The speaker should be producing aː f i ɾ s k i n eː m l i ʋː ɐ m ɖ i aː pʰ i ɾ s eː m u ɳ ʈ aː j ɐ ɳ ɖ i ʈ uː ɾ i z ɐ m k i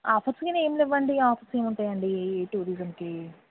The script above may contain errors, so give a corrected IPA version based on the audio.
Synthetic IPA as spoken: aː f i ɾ s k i n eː m l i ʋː ɐ ɳ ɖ i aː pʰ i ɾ s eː m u ɳ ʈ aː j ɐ ɳ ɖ i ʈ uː ɾ i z ɐ m k i

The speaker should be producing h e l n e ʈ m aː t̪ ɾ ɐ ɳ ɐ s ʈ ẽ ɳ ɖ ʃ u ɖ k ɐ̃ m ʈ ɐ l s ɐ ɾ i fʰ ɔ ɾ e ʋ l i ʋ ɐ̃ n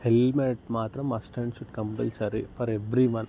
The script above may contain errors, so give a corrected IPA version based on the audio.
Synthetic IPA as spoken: h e l m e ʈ m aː t̪ ɾ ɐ m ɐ s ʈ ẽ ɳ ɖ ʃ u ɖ k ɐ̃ m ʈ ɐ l s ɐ ɾ i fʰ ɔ ɾ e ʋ ɾ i ʋ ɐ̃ n

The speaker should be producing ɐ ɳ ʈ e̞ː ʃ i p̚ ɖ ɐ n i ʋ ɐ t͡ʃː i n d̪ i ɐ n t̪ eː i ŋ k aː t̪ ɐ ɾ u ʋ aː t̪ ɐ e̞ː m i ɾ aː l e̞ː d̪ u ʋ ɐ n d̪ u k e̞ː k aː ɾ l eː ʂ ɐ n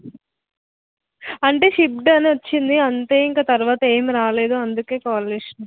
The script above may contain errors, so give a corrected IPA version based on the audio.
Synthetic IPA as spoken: ɐ ɳ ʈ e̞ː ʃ i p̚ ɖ ɐ n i ʋ ɐ t͡ʃː i n d̪ i ɐ n t̪ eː i ŋ k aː t̪ ɐ ɾ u ʋ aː t̪ ɐ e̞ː m i ɾ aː l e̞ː d̪ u ɐ n d̪ u k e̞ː k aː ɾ l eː ʂ ɐ n

